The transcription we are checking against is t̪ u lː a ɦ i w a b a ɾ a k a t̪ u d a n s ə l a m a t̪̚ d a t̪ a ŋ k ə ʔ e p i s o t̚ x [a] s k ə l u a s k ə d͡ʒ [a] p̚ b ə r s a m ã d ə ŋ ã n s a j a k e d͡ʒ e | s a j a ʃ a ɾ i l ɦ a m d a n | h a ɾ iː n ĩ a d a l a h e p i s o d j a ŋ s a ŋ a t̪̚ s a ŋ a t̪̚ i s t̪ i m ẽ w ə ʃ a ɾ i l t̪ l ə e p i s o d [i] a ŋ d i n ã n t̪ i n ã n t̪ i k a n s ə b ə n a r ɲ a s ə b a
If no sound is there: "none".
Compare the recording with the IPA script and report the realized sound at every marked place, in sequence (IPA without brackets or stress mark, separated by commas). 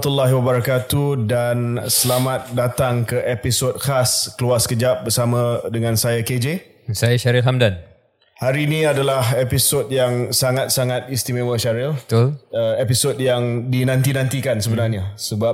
a, a, j